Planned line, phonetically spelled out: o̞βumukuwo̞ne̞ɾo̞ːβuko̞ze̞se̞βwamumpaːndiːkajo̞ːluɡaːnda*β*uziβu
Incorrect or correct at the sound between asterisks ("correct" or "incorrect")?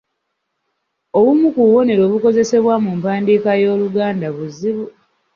correct